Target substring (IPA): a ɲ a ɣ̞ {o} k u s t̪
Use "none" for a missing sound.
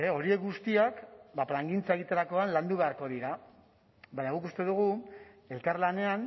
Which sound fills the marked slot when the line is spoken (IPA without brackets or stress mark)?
u